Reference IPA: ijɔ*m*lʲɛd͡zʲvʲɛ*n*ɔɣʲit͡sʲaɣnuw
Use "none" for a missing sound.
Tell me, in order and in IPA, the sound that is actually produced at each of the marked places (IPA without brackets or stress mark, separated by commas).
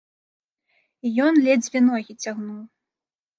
n, n